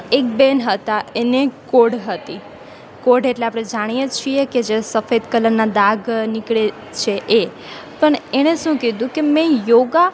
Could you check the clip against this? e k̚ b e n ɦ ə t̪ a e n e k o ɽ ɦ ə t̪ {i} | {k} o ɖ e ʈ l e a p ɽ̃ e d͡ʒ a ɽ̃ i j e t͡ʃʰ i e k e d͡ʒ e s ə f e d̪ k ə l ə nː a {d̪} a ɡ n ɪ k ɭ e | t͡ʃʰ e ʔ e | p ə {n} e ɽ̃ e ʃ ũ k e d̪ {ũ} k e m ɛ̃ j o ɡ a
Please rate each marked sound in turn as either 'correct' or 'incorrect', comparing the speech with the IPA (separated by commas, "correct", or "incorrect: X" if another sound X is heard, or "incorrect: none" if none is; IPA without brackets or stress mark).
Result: correct, correct, correct, incorrect: ɳ, correct